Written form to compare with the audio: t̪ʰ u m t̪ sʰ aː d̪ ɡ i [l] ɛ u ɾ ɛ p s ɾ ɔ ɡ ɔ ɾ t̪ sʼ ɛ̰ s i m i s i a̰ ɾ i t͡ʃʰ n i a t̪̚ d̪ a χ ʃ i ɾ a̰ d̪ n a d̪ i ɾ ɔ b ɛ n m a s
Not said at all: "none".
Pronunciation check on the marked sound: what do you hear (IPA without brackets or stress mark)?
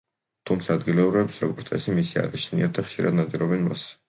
l